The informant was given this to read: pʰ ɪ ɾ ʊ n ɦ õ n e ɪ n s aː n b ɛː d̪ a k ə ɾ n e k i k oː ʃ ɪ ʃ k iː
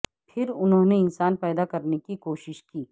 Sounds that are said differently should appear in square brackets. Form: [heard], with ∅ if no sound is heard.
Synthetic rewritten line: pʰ ɪ ɾ ʊ n ɦ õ n e ɪ n s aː n [p] ɛː d̪ a k [ɐ] ɾ n e k i k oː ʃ ɪ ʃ k iː

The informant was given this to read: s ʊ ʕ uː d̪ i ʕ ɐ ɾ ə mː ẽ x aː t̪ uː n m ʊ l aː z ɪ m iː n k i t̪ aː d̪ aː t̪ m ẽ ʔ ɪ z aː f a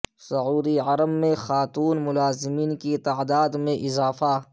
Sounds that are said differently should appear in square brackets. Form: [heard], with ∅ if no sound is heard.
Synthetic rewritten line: s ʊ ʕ uː d̪ i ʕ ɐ ɾ ə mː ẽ x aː t̪ uː n m ʊ l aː z ɪ m iː n k i t̪ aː d̪ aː [d̪] m ẽ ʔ ɪ z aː f a

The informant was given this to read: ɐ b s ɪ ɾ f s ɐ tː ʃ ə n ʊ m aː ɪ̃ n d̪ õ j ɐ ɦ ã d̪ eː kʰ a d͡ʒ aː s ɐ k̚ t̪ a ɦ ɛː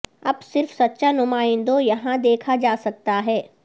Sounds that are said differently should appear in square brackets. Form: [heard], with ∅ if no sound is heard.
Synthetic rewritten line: ɐ b s ɪ ɾ f s ɐ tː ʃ [a] n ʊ m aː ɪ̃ n d̪ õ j ɐ ɦ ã d̪ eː kʰ a d͡ʒ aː s ɐ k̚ t̪ a ɦ ɛː

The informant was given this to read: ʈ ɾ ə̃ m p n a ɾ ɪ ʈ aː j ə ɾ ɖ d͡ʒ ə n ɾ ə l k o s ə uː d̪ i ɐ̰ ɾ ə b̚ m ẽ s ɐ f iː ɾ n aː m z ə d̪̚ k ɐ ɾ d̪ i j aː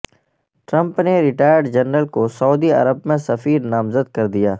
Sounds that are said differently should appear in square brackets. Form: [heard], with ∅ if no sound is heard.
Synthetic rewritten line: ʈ ɾ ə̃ m p n [e] ɾ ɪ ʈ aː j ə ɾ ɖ d͡ʒ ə n ɾ ə l k o s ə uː d̪ i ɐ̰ ɾ ə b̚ m ẽ s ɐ f iː ɾ n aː m z ə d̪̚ k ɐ ɾ d̪ i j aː

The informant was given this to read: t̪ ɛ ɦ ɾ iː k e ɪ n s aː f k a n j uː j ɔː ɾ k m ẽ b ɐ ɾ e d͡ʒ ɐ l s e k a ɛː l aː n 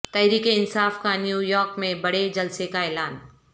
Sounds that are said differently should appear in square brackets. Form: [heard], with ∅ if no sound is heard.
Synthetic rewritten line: t̪ ɛ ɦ ɾ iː k e ɪ n s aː f k a n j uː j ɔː ɾ k m ẽ b ɐ [ɽ] e d͡ʒ ɐ l s e k a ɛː l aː n

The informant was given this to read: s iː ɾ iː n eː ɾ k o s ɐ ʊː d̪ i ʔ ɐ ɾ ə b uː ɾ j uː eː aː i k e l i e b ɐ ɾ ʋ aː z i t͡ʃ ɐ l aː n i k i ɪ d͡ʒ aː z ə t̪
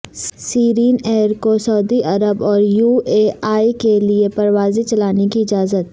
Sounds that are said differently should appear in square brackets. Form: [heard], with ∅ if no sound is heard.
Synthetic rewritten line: s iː ɾ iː n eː ɾ k o s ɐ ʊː d̪ i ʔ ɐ ɾ ə b [ɔː] ɾ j uː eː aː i k e l i e [p] ɐ ɾ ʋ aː z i t͡ʃ ɐ l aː n [e] k i ɪ d͡ʒ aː z ə t̪

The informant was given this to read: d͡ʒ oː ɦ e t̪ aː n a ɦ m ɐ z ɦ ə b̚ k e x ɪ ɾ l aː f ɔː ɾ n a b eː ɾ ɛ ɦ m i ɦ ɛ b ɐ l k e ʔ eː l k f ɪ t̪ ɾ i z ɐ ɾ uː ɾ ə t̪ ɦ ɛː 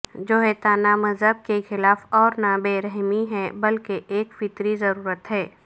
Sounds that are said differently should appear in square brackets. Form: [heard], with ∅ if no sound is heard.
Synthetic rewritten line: d͡ʒ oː ɦ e t̪ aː n a [∅] m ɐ z ɦ ə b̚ k e x ɪ [∅] l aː f ɔː ɾ n a b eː ɾ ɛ ɦ m i ɦ ɛ b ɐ l k e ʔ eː [∅] k f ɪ t̪ ɾ i z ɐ ɾ uː ɾ ə t̪ ɦ ɛː

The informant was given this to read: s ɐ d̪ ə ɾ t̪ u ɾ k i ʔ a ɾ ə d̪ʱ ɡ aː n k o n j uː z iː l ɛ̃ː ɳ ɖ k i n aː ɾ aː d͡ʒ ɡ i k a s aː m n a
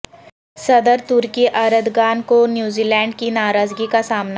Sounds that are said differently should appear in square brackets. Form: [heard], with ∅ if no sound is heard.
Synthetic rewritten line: s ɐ d̪ ə ɾ t̪ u ɾ k i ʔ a ɾ ə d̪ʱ ɡ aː n k o n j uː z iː l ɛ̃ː ɳ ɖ k i n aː ɾ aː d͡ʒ ɡ i k a s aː m n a

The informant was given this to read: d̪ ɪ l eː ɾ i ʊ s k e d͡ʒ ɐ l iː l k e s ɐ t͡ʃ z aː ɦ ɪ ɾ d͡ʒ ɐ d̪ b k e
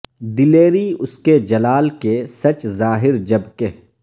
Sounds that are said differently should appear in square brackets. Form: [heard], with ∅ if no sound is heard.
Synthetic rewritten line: d̪ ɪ l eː ɾ i ʊ s k e d͡ʒ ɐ l [aː] l k e s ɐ t͡ʃ z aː ɦ ɪ ɾ d͡ʒ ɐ [∅] b k e

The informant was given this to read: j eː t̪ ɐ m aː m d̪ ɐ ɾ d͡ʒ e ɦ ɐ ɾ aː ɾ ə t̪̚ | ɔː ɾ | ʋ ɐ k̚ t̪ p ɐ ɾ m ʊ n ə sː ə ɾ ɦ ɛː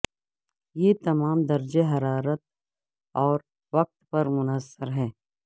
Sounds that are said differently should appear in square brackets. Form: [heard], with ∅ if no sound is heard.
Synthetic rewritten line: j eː t̪ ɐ m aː m d̪ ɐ ɾ d͡ʒ e ɦ ɐ ɾ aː ɾ ə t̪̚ | ɔː ɾ | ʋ ɐ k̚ t̪ p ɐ ɾ m ʊ n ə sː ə ɾ ɦ ɛː

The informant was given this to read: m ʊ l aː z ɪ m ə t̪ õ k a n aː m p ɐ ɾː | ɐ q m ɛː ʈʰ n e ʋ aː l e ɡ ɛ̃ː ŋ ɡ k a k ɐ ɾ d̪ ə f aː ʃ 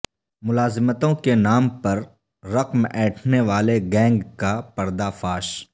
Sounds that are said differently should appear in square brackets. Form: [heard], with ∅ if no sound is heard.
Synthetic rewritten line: m ʊ l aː z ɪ m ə t̪ õ k [e] n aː m p ɐ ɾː | ɐ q m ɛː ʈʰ n e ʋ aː l e ɡ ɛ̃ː ŋ ɡ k a [p] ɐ ɾ d̪ [a] f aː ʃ

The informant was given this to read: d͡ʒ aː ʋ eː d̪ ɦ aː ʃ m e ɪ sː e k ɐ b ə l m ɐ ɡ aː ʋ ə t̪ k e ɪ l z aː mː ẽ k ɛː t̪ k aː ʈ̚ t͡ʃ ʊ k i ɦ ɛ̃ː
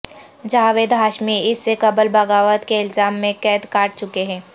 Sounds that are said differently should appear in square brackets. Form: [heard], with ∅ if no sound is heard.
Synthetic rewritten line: d͡ʒ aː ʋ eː d̪ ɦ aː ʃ m [i] ɪ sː e k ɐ b ə l [b] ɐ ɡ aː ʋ ə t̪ k e ɪ l z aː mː ẽ k ɛː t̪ k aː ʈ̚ t͡ʃ ʊ k [e] ɦ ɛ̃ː

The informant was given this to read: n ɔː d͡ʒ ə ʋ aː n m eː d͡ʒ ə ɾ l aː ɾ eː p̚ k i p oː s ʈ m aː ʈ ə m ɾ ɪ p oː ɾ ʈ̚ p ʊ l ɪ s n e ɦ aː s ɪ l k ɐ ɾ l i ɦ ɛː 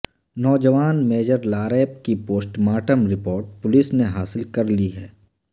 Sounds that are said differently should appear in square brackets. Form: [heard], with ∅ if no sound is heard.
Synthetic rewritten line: n ɔː d͡ʒ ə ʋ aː n m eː d͡ʒ ə ɾ l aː ɾ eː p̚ k i p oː s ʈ m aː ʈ ə m ɾ ɪ p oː ɾ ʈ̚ p ʊ l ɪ s n e ɦ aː s ɪ l k ɐ ɾ l i ɦ ɛː

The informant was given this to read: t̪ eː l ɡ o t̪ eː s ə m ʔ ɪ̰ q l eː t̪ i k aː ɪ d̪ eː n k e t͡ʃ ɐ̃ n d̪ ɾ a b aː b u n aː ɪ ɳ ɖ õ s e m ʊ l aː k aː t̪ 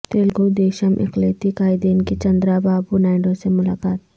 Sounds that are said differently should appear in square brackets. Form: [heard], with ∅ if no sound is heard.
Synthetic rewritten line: t̪ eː l ɡ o [d̪] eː [ʃ] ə m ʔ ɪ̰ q l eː t̪ i k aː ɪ d̪ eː n k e t͡ʃ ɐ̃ n d̪ ɾ a b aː b u n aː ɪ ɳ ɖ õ s e m ʊ l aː k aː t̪

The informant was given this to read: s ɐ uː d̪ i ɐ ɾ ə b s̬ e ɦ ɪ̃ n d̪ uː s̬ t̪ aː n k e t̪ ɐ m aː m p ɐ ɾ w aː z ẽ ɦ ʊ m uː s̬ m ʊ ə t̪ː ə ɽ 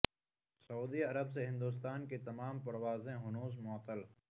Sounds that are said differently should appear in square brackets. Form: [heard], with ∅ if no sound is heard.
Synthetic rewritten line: s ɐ uː d̪ i ɐ ɾ ə b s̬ e ɦ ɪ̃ n d̪ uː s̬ t̪ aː n k e t̪ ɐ m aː m p ɐ ɾ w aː z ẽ ɦ ʊ [n] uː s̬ m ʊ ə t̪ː ə [l]

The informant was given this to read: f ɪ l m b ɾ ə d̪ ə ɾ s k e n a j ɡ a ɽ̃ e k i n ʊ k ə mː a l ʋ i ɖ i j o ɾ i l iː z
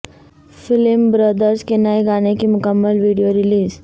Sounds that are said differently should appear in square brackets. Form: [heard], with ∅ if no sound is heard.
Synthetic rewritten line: f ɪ l m b ɾ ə d̪ ə ɾ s k e n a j ɡ a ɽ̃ e k i [m] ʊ k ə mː [ə] l ʋ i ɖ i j o ɾ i l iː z

